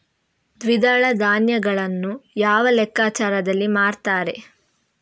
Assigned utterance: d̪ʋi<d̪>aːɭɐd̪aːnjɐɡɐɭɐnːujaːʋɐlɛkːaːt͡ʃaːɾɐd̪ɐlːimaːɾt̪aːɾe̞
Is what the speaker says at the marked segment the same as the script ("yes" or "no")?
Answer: yes